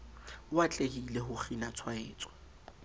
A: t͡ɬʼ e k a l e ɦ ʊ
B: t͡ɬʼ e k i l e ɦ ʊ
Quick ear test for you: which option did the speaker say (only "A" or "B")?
B